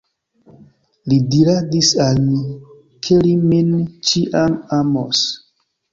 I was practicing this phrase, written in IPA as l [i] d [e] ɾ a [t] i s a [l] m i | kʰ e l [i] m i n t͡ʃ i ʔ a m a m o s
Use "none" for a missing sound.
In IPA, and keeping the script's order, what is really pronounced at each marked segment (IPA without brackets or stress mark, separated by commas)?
i, i, d, l, i